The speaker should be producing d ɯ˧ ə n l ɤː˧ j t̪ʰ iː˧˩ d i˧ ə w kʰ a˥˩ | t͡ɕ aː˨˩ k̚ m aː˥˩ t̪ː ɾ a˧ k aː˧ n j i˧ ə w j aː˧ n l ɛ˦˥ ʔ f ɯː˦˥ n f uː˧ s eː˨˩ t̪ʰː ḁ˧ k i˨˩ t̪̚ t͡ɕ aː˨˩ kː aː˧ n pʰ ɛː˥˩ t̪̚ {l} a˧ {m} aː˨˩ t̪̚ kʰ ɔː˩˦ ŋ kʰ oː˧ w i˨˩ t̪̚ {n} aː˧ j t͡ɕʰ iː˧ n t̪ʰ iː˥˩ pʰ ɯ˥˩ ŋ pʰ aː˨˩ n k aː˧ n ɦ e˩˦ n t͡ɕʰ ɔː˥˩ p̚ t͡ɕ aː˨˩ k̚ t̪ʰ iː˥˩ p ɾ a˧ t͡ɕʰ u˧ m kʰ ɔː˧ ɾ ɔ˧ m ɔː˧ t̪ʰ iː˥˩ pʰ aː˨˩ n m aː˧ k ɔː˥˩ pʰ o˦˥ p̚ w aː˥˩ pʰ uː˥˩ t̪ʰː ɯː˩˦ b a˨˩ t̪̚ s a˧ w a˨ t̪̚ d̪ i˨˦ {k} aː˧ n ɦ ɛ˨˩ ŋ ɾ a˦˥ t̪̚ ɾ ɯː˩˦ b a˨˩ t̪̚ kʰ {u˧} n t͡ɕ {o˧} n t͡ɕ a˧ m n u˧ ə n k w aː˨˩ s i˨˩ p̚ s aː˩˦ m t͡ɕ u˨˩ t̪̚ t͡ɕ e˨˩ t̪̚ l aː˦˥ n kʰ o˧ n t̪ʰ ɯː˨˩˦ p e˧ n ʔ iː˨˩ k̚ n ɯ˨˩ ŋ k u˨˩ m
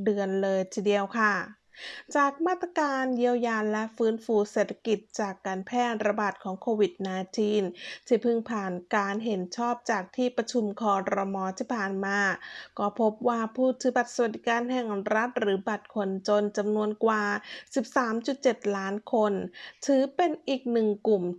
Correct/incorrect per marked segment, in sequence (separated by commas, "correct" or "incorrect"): incorrect, incorrect, correct, correct, incorrect, correct